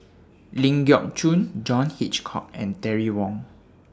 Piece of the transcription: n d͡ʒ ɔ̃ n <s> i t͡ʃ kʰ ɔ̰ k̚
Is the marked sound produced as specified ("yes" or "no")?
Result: no